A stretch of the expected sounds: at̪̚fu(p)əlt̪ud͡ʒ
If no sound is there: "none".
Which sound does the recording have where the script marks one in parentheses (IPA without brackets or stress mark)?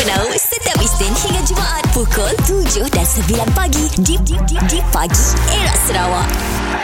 k